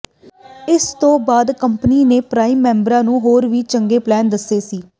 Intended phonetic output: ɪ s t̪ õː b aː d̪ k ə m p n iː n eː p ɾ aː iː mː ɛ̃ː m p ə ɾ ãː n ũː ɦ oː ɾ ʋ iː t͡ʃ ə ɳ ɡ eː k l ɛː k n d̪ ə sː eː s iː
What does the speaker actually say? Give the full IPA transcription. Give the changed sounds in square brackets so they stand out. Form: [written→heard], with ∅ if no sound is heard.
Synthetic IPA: ɪ s t̪ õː b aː d̪ k ə m p n iː n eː p ɾ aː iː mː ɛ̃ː m [p→b] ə ɾ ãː n ũː ɦ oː ɾ ʋ iː t͡ʃ ə [ɳ→ŋ] ɡ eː [k→p] l ɛː [k→∅] n d̪ ə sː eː s iː